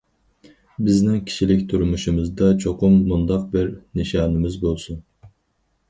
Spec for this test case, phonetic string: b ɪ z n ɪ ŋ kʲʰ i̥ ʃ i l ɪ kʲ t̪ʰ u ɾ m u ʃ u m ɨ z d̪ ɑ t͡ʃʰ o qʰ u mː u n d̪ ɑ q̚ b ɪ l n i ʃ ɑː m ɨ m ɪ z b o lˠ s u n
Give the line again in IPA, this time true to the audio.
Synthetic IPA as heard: b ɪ z n ɪ ŋ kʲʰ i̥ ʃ i l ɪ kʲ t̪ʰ u ɾ m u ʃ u m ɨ z d̪ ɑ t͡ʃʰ o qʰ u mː u n d̪ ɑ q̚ b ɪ ɾ n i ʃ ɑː n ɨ m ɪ z b o lˠ s u n